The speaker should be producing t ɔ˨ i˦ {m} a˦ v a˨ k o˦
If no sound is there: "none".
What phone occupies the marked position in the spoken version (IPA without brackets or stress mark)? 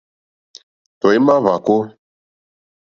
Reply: m